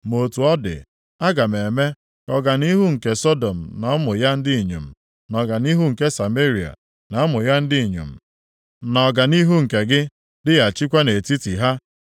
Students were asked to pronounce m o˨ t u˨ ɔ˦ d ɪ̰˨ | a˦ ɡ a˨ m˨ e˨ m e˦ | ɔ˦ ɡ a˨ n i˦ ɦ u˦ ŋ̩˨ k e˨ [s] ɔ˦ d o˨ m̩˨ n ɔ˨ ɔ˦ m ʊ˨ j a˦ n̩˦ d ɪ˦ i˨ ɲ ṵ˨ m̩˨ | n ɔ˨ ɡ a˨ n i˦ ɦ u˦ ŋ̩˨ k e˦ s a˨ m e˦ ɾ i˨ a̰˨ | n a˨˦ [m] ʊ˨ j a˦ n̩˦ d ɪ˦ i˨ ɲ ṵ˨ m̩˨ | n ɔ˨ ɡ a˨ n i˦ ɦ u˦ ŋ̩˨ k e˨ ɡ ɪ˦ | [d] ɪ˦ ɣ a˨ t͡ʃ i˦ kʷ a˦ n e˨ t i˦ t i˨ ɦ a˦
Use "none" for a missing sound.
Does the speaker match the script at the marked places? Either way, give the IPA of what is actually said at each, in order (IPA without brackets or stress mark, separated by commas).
s, m, d